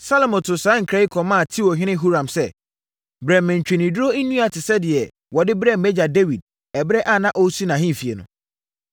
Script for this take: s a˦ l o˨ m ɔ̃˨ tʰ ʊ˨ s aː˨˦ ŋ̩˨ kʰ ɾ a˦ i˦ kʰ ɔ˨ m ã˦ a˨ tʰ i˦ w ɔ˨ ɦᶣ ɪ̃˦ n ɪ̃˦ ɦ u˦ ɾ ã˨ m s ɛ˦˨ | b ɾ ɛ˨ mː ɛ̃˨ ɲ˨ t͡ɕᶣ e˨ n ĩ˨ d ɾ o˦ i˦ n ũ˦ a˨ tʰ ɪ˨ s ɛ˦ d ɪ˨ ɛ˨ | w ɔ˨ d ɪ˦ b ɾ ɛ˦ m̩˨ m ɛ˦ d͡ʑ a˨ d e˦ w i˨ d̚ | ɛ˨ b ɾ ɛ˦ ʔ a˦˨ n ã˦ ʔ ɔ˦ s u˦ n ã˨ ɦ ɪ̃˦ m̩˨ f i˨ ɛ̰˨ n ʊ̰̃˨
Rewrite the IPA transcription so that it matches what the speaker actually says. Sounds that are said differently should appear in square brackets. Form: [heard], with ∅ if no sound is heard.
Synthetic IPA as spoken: s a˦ l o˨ m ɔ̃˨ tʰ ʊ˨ s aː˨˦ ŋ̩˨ kʰ ɾ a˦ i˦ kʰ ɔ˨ m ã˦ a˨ tʰ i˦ w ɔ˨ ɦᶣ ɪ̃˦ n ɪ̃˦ ɦ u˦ ɾ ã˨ m s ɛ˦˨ | b ɾ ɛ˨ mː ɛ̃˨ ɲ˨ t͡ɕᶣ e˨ n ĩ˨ d ɾ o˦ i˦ n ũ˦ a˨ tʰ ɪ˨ s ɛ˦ d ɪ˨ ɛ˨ | w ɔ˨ d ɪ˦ b ɾ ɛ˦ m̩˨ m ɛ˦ d͡ʑ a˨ d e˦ w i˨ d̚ | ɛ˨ b ɾ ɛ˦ ʔ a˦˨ n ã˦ ʔ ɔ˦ s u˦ n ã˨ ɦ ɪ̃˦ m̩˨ f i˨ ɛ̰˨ n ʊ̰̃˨